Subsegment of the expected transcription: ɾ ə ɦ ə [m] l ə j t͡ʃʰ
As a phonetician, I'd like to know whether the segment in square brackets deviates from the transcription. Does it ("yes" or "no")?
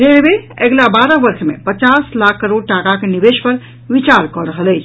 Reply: yes